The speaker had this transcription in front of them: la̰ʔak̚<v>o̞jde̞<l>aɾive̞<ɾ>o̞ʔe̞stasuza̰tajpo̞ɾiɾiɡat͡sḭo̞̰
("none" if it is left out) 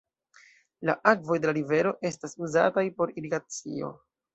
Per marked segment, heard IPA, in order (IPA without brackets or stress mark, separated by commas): v, l, ɾ